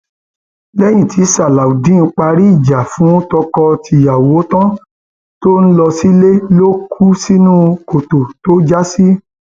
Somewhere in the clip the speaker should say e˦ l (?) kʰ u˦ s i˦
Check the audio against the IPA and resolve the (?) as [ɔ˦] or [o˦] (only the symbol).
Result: o˦